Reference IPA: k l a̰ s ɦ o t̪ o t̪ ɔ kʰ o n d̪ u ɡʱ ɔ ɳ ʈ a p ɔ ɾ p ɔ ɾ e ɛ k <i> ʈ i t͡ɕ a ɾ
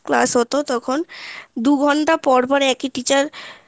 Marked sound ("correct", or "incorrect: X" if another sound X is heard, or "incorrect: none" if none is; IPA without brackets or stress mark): correct